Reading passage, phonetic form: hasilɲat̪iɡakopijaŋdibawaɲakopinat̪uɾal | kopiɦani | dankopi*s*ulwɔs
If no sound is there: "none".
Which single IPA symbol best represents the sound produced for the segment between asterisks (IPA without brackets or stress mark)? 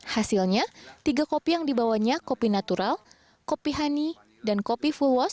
f